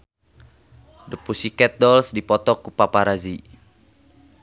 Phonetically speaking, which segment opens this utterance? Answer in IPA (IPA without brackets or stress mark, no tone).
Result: d